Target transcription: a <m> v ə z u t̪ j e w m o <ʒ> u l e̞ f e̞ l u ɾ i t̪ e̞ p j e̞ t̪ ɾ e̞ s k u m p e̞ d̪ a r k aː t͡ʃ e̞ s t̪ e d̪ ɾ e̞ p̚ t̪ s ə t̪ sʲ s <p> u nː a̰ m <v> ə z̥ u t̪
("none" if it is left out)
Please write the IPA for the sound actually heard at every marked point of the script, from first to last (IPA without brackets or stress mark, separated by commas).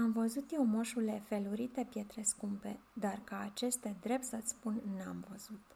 m, ʃ, p, v